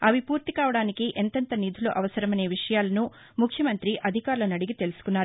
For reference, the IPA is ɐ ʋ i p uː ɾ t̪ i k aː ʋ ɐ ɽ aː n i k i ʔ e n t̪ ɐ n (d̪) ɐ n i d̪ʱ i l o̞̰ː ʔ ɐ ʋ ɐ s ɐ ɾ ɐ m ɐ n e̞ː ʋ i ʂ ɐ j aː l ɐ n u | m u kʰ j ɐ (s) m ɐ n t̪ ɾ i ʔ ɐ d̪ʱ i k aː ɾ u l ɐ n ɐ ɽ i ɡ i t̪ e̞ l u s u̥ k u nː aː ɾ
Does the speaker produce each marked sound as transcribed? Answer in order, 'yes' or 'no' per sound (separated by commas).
no, no